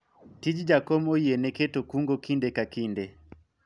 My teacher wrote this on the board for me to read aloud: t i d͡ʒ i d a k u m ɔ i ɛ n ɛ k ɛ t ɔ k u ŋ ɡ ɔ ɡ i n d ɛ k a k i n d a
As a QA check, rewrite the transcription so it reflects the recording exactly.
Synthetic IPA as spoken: t i d͡ʒ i d͡ʒ a k ɔ m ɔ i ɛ n ɛ k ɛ t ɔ k u ŋ ɡ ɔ k i n d ɛ k a k i n d ɛ

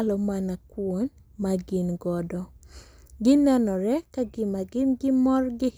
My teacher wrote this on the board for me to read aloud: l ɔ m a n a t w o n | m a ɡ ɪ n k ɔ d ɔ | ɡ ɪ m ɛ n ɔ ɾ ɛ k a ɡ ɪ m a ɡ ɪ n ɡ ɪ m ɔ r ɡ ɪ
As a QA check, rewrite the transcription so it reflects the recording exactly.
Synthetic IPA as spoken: l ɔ m a n a k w o n | m a ɡ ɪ n ɡ ɔ d ɔ | ɡ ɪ n ɛ n ɔ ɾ ɛ k a ɡ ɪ m a ɡ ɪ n ɡ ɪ m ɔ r ɡ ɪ

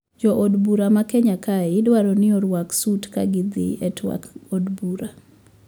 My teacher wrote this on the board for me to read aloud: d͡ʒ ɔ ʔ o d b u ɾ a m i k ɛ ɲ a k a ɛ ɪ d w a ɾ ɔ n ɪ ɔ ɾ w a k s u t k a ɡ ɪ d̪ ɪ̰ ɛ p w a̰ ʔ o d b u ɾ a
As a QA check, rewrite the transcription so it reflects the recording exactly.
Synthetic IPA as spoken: d͡ʒ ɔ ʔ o d b u ɾ a m a k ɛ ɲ a k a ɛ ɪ d w a ɾ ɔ n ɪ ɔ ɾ w a k s u t k a ɡ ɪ d̪ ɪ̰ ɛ t w a̰ k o d b u ɾ a

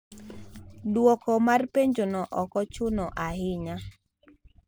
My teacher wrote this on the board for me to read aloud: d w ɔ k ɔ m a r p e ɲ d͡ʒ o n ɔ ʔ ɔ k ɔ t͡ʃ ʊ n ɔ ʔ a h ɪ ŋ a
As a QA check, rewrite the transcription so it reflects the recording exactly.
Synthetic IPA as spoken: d w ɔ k ɔ m a r p e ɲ d͡ʒ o n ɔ ʔ ɔ k ɔ t͡ʃ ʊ n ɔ ʔ a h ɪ ɲ a

